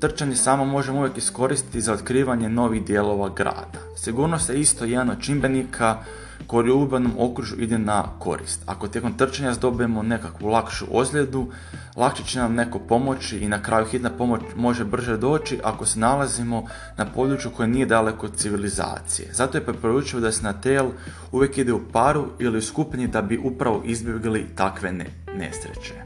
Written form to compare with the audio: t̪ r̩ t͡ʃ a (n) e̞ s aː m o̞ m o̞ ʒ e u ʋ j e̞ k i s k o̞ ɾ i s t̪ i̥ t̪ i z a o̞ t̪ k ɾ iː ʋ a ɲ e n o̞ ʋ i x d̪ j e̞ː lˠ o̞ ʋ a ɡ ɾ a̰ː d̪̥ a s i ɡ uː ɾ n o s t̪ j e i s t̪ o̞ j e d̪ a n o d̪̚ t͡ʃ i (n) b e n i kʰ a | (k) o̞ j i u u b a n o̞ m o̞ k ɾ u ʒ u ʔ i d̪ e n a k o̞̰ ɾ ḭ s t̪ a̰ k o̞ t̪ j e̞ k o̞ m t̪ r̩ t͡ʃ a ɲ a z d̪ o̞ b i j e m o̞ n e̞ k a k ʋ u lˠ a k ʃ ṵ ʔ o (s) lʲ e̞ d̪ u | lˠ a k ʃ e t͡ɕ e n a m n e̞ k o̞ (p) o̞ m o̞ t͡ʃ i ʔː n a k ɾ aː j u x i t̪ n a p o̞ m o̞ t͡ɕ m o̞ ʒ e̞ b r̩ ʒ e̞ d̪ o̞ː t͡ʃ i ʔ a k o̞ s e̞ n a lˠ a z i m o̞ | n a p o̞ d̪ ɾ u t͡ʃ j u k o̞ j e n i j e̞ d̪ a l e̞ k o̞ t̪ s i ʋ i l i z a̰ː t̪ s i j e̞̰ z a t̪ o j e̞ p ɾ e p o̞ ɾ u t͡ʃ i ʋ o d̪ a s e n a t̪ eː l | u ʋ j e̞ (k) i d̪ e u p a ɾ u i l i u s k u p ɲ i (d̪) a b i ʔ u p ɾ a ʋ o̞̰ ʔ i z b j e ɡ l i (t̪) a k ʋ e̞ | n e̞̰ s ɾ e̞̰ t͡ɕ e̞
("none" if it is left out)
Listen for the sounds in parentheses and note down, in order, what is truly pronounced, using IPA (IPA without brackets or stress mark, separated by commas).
ɲ, m, k, z, p, k, d̪, t̪